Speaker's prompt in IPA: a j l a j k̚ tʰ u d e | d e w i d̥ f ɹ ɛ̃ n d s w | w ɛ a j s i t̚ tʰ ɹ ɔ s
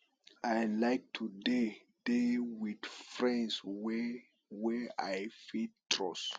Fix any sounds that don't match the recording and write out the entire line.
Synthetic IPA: a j l a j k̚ tʰ u d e | d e w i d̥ f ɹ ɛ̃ n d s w | w ɛ a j f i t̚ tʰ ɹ ɔ s